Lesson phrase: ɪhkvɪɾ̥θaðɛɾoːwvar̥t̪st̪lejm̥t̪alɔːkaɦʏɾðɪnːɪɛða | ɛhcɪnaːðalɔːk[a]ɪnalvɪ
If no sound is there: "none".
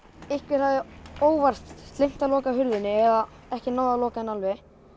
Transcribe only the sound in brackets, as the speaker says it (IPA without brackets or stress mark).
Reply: a